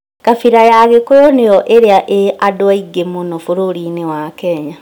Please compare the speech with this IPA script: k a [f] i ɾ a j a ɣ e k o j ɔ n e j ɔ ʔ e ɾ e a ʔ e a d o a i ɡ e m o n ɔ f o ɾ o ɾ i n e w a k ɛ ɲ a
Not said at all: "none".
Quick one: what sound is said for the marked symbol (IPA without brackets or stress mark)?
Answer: f